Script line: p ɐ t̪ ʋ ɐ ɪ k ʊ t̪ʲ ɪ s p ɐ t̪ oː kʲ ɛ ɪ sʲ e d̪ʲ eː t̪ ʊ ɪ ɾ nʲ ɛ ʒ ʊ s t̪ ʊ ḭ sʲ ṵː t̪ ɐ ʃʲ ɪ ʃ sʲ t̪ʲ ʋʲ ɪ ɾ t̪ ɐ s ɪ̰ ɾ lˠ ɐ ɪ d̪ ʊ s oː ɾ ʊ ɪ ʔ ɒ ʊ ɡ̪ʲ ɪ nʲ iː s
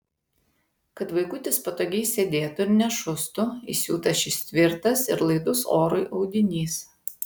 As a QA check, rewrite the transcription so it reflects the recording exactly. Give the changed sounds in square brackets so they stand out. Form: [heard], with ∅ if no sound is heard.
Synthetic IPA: [k] ɐ t̪ ʋ ɐ ɪ k ʊ t̪ʲ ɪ s p ɐ t̪ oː [ɡʲ] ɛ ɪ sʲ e d̪ʲ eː t̪ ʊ ɪ ɾ nʲ ɛ [ʃ] ʊ s t̪ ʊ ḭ sʲ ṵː t̪ ɐ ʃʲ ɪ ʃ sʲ t̪ʲ ʋʲ ɪ ɾ t̪ ɐ s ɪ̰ ɾ lˠ ɐ ɪ d̪ ʊ s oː ɾ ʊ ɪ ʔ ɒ ʊ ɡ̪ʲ ɪ nʲ iː s

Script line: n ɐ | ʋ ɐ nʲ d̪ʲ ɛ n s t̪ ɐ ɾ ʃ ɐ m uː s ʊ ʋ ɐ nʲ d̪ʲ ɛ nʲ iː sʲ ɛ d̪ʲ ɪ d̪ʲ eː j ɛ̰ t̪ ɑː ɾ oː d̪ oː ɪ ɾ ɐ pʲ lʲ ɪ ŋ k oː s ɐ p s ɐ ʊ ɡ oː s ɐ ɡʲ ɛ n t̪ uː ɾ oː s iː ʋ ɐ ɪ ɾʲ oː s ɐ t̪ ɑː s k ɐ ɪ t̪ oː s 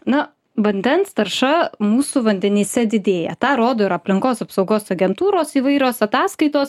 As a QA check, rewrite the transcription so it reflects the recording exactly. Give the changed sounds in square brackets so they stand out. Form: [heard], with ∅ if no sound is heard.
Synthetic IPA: n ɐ | ʋ ɐ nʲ d̪ʲ ɛ n s t̪ ɐ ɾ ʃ ɐ m uː s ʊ ʋ ɐ nʲ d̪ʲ ɛ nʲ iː sʲ ɛ d̪ʲ ɪ d̪ʲ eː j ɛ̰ t̪ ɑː ɾ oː d̪ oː ɪ ɾ ɐ pʲ lʲ ɪ ŋ k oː s ɐ p s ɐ ʊ ɡ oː s ɐ ɡʲ ɛ n t̪ uː ɾ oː s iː ʋ ɐ ɪ ɾʲ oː s ɐ t̪ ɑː s k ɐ ɪ t̪ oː s

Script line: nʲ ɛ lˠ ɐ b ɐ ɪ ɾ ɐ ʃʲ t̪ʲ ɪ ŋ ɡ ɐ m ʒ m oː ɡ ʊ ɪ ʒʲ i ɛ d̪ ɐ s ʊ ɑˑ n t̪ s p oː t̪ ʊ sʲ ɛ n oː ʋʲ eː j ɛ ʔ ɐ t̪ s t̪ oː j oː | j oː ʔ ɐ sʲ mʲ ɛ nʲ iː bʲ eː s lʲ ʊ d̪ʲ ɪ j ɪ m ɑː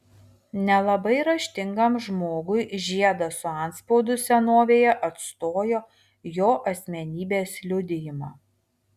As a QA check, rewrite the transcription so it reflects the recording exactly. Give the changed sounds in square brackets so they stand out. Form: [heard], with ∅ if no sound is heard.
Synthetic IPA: nʲ ɛ lˠ ɐ b ɐ ɪ ɾ ɐ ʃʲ t̪ʲ ɪ ŋ ɡ ɐ m ʒ m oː ɡ ʊ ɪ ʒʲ i ɛ d̪ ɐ s ʊ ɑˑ n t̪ s p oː [d̪] ʊ sʲ ɛ n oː ʋʲ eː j ɛ ʔ ɐ t̪ s t̪ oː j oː | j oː ʔ ɐ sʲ mʲ ɛ nʲ iː bʲ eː s lʲ ʊ d̪ʲ ɪ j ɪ m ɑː

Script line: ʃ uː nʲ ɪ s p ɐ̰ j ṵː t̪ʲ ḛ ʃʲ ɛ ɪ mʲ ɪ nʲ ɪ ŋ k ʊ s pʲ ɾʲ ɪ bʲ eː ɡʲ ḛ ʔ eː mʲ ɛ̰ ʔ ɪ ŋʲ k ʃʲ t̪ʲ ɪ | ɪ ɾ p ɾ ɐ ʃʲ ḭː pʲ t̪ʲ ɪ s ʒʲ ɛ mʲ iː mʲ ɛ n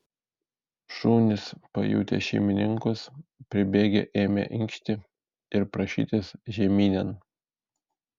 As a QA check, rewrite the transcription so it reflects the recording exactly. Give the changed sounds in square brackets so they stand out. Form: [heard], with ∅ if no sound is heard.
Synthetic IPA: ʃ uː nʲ ɪ s p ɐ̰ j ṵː t̪ʲ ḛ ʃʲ ɛ ɪ mʲ ɪ nʲ ɪ ŋ k ʊ s pʲ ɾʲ ɪ bʲ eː ɡʲ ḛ ʔ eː mʲ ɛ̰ ʔ ɪ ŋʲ k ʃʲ t̪ʲ ɪ | ɪ ɾ p ɾ ɐ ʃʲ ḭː [∅] t̪ʲ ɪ s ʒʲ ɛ mʲ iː [nʲ] ɛ n

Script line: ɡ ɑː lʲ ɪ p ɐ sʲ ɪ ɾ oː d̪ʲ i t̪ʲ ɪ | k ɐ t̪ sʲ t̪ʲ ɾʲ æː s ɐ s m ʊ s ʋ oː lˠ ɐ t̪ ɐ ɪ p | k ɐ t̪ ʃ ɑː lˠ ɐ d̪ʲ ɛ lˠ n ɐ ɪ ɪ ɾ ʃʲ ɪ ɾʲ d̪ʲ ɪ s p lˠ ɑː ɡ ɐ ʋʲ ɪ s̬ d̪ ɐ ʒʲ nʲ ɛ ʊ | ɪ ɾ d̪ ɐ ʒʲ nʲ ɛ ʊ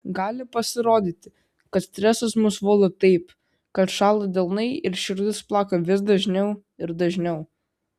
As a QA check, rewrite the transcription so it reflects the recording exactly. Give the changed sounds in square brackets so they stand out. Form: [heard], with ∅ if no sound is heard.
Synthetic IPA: ɡ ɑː lʲ ɪ p ɐ sʲ ɪ ɾ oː d̪ʲ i t̪ʲ ɪ | k ɐ t̪ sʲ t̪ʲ ɾʲ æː s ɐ s m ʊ s ʋ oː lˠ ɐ t̪ ɐ ɪ p | k ɐ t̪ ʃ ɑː lˠ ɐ d̪ʲ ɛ lˠ n ɐ ɪ ɪ ɾ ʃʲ ɪ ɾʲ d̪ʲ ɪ s p lˠ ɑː [k] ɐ ʋʲ ɪ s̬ d̪ ɐ ʒʲ nʲ ɛ ʊ | ɪ ɾ d̪ ɐ ʒʲ nʲ ɛ ʊ

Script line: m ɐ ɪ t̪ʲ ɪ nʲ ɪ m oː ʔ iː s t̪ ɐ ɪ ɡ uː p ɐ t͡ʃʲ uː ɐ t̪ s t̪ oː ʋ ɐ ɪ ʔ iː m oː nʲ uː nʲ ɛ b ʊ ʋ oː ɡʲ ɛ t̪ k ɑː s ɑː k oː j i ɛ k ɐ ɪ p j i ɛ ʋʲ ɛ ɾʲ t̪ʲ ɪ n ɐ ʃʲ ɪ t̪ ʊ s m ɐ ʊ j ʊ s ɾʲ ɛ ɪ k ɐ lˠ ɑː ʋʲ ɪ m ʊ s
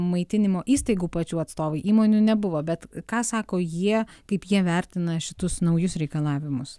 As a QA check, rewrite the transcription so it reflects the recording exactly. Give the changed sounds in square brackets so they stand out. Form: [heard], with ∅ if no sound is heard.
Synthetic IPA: m ɐ ɪ t̪ʲ ɪ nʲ ɪ m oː ʔ iː s t̪ ɐ ɪ ɡ uː p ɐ t͡ʃʲ uː ɐ t̪ s t̪ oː ʋ ɐ ɪ ʔ iː m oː nʲ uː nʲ ɛ b ʊ ʋ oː [bʲ] ɛ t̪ k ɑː s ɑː k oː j i ɛ k ɐ ɪ p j i ɛ ʋʲ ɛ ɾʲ t̪ʲ ɪ n ɐ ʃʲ ɪ t̪ ʊ s [n] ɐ ʊ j ʊ s ɾʲ ɛ ɪ k ɐ lˠ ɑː ʋʲ ɪ m ʊ s

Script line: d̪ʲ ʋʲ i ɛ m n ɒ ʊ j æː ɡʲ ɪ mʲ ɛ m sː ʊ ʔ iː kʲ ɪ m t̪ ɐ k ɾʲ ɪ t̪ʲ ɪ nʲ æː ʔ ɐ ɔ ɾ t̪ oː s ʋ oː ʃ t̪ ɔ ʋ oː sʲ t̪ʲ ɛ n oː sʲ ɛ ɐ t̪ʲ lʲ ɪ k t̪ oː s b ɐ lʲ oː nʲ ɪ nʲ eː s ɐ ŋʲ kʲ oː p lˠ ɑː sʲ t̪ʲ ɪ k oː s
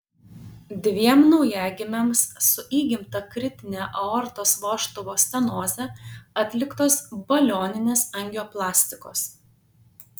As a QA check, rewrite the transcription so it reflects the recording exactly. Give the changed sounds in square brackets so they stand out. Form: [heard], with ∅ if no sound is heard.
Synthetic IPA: d̪ʲ ʋʲ i ɛ m n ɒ ʊ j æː ɡʲ ɪ mʲ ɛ m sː ʊ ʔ iː [ɡʲ] ɪ m t̪ ɐ k ɾʲ ɪ t̪ʲ ɪ nʲ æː ʔ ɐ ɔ ɾ t̪ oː s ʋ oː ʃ t̪ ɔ ʋ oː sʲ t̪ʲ ɛ n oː [zʲ] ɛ ɐ t̪ʲ lʲ ɪ k t̪ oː s b ɐ lʲ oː nʲ ɪ nʲ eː s ɐ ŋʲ [ɡʲ] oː p lˠ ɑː sʲ t̪ʲ ɪ k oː s

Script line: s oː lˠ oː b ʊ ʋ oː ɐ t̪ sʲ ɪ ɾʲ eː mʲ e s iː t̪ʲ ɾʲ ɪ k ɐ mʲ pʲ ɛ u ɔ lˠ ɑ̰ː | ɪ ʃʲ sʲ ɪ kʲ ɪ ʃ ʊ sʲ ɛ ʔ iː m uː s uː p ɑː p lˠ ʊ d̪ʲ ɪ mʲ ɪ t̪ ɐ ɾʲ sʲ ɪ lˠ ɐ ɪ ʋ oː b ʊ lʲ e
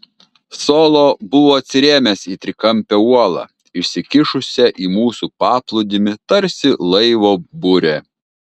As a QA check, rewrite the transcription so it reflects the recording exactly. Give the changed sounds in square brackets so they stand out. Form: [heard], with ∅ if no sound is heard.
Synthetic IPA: s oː lˠ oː b ʊ ʋ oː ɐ t̪ sʲ ɪ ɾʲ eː mʲ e s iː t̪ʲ ɾʲ ɪ k ɐ mʲ pʲ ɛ u ɔ lˠ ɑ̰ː | ɪ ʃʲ sʲ ɪ kʲ ɪ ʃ ʊ sʲ ɛ ʔ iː m uː s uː p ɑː p lˠ ʊ d̪ʲ ɪ mʲ ɪ t̪ ɐ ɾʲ sʲ ɪ lˠ ɐ ɪ ʋ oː b ʊ [ɾʲ] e

